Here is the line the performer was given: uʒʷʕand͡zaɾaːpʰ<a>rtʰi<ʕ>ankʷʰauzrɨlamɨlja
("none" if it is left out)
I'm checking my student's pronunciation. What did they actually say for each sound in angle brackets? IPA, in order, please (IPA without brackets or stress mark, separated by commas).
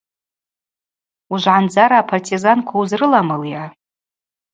a, z